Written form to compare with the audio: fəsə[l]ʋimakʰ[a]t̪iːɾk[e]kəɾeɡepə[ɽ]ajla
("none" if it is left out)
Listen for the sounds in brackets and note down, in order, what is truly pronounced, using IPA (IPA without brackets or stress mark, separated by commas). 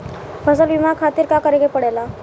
l, a, a, ɽ